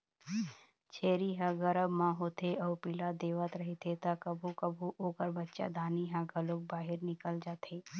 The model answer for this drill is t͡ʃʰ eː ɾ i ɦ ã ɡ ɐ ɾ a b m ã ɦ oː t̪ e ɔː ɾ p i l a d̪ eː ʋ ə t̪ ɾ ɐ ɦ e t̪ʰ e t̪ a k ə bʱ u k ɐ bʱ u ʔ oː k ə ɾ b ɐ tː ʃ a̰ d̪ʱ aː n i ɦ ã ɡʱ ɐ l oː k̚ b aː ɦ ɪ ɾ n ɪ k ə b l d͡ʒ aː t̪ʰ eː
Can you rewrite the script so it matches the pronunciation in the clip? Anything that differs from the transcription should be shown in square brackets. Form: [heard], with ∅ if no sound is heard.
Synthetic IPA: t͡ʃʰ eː ɾ i ɦ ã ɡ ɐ ɾ [ə] b m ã ɦ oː t̪ e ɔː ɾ p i l a d̪ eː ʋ ə t̪ ɾ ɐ ɦ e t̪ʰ e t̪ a k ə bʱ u k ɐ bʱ u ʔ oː k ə ɾ b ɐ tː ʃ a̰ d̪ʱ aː n i ɦ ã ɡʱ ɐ l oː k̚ b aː ɦ ɪ ɾ n ɪ k ə [∅] l d͡ʒ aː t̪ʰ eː

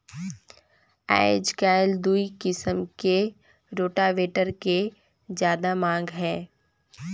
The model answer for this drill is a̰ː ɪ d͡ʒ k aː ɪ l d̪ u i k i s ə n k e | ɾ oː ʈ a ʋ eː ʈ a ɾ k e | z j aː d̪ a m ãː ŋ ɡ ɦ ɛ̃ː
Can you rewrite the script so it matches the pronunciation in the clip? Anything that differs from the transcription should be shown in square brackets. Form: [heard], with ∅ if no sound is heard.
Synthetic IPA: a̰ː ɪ d͡ʒ k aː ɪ l d̪ u i k [ɪ] s ə [m] k e | ɾ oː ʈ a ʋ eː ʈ [ə] ɾ k e | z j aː d̪ a m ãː ŋ ɡ ɦ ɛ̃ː

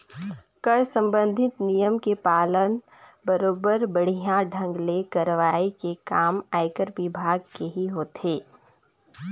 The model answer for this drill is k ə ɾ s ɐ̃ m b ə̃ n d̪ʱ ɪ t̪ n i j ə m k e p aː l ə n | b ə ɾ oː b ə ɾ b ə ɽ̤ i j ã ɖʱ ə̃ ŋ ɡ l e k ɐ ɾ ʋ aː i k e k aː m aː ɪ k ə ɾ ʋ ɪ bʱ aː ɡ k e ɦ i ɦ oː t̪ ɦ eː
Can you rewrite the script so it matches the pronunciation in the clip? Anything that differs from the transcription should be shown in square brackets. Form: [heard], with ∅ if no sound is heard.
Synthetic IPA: k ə ɾ s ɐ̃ m b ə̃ n d̪ʱ ɪ t̪ n i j ə m k e p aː l ə n | b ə ɾ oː b ə ɾ b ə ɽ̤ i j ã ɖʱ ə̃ ŋ ɡ l e k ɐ ɾ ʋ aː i k e k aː m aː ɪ k ə ɾ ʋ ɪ bʱ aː ɡ k e ɦ i ɦ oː t̪ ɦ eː

